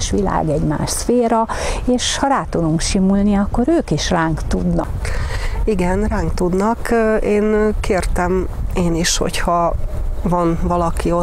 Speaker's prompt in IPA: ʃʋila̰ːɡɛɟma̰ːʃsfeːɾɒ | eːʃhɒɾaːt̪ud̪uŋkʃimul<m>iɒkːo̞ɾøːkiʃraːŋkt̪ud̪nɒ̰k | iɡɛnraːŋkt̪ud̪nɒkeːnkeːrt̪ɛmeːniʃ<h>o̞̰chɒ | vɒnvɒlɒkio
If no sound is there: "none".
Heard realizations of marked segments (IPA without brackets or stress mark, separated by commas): n, h